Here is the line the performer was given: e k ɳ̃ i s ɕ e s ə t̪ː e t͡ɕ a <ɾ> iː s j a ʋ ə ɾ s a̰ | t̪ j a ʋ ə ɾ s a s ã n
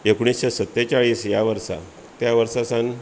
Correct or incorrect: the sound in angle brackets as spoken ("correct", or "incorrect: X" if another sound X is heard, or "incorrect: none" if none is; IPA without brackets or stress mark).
incorrect: ɭ